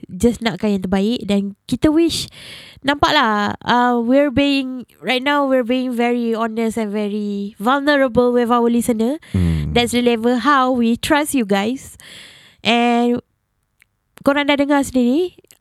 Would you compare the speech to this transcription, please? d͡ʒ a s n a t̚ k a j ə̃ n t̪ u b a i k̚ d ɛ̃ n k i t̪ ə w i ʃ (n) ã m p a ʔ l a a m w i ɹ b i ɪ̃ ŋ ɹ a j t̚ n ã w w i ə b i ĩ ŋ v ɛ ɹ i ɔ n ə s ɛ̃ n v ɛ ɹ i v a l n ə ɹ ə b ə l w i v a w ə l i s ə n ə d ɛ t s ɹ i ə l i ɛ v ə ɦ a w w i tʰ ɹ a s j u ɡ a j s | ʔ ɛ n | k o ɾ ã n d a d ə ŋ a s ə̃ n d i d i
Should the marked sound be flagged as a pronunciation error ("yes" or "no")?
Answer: no